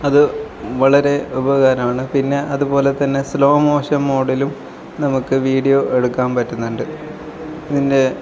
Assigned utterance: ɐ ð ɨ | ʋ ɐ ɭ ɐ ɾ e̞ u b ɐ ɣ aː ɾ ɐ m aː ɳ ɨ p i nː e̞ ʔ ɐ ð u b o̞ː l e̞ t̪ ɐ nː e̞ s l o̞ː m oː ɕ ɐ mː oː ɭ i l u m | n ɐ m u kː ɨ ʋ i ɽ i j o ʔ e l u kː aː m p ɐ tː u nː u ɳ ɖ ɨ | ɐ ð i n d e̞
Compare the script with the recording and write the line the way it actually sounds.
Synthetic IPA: ɐ ð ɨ | ʋ ɐ ɭ ɐ ɾ e̞ u b ɐ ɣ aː ɾ ɐ m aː ɳ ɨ p i nː e̞ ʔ ɐ ð u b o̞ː l e̞ t̪ ɐ nː e̞ s l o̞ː m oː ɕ ɐ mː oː ɽ i l u m | n ɐ m u kː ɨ ʋ iː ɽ i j o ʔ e ɽ u kː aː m p ɐ tː u nː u ɳ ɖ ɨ | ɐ ð i n d e̞